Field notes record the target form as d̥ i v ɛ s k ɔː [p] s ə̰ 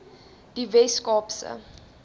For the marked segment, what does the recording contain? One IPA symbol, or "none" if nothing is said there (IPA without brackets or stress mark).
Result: p